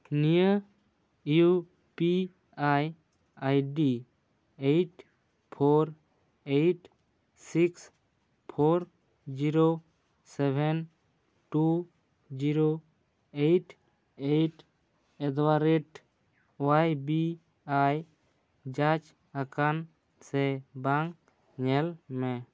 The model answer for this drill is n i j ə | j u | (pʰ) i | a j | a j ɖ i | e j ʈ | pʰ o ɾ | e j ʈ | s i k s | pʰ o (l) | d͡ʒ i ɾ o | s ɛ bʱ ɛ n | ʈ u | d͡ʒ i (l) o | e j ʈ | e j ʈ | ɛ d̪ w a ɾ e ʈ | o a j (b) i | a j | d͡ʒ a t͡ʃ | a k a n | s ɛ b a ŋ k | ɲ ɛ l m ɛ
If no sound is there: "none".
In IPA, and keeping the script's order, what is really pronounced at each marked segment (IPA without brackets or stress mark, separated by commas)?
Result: p, ɾ, ɾ, b